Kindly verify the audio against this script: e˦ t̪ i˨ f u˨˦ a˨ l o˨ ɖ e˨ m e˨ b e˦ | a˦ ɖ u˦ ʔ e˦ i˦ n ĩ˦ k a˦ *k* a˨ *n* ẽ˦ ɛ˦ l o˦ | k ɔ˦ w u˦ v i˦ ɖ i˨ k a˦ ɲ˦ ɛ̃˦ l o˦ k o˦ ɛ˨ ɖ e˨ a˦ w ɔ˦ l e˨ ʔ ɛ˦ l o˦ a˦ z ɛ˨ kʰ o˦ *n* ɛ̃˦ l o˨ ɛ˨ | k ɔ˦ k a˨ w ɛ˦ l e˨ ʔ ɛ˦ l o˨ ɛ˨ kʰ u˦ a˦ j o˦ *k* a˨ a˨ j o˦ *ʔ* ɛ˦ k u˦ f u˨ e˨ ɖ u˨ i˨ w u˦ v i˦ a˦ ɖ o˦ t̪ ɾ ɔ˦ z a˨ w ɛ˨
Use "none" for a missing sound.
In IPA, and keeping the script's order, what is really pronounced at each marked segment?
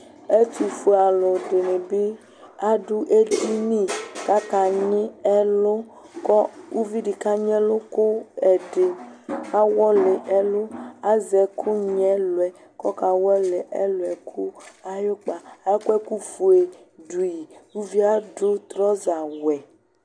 k, ɲ, ɲ, k͡p, k

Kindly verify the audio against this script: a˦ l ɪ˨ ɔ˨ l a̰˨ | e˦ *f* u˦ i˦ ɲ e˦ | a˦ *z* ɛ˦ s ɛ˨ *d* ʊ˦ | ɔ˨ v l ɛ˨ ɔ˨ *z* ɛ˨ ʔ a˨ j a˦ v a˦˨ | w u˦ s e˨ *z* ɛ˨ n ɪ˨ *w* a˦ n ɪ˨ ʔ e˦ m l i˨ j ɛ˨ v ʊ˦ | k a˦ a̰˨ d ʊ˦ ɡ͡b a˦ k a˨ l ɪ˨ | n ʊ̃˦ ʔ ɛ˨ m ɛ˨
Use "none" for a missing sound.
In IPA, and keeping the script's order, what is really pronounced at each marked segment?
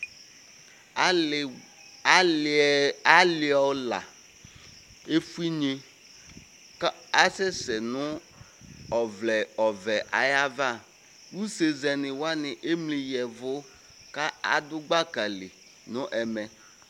f, s, n, v, z, w

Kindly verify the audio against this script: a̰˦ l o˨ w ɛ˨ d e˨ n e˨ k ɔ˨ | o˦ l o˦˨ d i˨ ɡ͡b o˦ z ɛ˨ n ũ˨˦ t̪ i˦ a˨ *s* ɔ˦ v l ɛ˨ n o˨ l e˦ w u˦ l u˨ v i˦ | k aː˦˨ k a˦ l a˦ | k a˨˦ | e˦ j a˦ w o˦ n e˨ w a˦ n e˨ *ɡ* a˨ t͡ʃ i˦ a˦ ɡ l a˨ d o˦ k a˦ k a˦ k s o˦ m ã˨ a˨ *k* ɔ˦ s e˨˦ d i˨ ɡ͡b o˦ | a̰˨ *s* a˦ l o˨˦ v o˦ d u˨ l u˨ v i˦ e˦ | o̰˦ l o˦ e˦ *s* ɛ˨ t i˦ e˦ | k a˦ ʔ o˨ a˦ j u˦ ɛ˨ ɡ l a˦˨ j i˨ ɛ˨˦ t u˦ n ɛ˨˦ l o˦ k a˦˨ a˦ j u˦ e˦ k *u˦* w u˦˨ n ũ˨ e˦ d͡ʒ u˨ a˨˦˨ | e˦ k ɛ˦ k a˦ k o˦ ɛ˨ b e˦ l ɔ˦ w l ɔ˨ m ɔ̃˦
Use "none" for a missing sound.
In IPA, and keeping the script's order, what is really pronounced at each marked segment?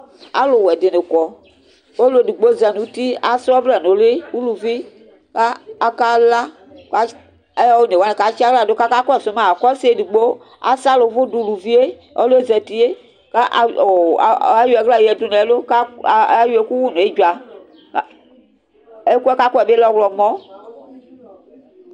s, k, k, s, z, u˦

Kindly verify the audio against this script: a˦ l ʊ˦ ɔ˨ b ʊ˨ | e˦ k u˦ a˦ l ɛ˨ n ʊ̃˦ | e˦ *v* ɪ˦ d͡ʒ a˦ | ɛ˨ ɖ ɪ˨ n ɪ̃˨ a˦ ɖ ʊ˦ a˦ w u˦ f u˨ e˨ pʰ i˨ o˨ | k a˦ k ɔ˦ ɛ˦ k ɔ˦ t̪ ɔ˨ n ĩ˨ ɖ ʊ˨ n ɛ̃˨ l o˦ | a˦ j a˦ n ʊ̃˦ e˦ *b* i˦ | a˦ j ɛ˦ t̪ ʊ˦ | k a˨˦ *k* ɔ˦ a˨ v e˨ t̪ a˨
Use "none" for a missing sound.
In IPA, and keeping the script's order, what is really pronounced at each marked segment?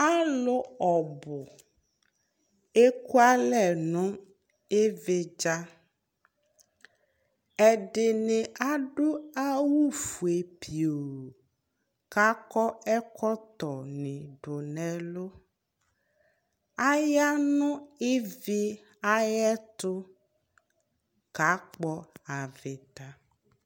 v, v, k͡p

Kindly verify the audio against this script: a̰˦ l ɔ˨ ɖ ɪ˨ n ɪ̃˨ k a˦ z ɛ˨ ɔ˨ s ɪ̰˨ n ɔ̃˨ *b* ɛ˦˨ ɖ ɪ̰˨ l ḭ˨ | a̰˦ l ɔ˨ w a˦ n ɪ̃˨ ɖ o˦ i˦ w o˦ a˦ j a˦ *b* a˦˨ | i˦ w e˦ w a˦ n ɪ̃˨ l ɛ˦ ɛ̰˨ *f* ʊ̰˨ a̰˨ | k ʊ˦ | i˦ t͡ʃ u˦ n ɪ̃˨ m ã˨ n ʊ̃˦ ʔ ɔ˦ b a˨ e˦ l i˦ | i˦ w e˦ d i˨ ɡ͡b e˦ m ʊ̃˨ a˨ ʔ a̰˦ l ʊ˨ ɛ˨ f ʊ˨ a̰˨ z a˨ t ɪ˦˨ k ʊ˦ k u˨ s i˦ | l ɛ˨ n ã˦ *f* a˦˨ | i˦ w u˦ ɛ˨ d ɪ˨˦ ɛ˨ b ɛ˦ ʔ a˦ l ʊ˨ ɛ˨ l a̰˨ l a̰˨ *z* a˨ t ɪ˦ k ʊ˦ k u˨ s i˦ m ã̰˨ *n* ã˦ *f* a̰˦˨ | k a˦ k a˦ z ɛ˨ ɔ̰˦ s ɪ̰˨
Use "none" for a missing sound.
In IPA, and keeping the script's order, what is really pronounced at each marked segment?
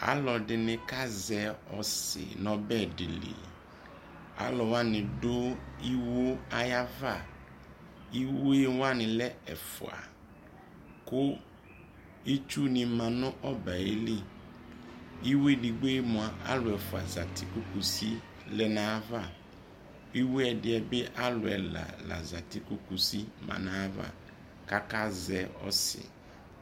b, v, f, v, z, n, v

